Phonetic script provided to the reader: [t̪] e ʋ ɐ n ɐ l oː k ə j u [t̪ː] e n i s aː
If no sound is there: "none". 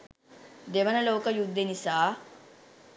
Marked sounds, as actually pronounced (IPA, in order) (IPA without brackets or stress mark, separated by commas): d̪, d̪ː